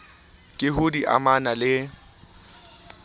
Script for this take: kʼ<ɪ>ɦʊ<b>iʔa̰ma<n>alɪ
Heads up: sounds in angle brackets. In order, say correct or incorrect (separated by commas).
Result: correct, incorrect, correct